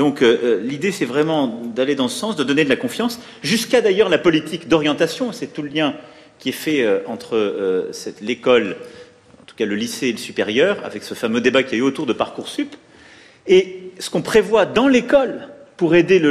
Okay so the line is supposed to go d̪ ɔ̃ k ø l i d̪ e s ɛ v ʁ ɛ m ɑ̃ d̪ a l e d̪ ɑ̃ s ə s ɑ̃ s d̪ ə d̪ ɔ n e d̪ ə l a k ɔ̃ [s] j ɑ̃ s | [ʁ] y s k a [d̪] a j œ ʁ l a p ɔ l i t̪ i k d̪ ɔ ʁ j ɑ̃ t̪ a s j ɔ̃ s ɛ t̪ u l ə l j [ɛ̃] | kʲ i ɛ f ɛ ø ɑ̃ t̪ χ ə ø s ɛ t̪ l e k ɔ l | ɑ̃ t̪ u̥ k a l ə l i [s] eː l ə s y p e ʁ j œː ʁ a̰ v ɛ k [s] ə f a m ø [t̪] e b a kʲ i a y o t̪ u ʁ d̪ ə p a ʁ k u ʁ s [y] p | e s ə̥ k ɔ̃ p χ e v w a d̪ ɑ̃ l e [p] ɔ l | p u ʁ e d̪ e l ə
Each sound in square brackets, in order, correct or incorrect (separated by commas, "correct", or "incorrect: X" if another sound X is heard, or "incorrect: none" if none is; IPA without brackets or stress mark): incorrect: f, incorrect: ʒ, correct, correct, correct, correct, incorrect: d̪, correct, incorrect: k